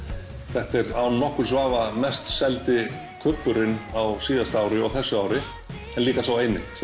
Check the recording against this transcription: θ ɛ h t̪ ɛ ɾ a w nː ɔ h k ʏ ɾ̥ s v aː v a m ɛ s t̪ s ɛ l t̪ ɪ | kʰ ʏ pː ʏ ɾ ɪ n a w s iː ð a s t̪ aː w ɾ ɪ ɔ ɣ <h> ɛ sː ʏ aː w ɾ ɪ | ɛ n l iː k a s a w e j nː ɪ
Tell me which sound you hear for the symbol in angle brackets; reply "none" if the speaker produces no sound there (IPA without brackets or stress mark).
θ